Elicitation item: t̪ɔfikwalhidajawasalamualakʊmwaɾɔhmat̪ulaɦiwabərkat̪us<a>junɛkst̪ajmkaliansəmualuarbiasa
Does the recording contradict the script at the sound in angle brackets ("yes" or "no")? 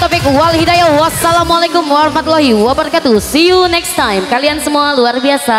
yes